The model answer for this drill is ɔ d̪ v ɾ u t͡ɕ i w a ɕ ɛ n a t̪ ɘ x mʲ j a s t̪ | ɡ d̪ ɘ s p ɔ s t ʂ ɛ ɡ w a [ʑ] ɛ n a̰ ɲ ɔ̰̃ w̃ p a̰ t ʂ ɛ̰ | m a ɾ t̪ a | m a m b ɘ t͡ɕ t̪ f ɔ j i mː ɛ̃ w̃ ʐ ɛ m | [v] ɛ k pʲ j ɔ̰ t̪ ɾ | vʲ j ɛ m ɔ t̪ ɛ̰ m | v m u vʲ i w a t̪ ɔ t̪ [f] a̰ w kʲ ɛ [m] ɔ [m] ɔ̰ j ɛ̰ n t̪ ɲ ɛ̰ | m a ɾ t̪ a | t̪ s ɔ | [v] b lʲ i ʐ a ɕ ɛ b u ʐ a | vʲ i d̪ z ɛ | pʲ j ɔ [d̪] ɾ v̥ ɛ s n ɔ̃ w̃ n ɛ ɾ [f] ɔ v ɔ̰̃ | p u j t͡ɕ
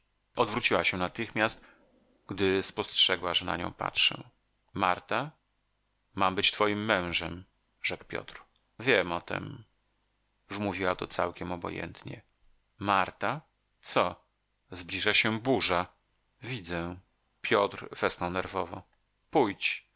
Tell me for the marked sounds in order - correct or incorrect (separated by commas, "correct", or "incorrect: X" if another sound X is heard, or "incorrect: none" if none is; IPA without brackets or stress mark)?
incorrect: ʐ, incorrect: ʐ, incorrect: s, correct, incorrect: b, incorrect: z, incorrect: t̪, incorrect: v